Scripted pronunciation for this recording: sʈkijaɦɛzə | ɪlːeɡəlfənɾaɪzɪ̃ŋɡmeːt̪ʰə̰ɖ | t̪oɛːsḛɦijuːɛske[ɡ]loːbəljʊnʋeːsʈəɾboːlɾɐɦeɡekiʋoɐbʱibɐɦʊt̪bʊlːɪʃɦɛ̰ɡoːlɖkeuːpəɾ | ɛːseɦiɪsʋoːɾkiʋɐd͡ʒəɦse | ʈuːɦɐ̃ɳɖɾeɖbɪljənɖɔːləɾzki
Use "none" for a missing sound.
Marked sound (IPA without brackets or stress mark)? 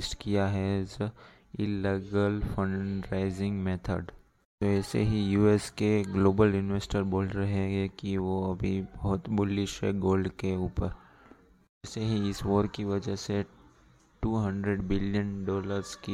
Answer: ɡ